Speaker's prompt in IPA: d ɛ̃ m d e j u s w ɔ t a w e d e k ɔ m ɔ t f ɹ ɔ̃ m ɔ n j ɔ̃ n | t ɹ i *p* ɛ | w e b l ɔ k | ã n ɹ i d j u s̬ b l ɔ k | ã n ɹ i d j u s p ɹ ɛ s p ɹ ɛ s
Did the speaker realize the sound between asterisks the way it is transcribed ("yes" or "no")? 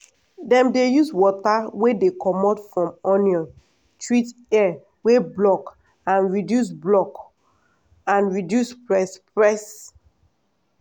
no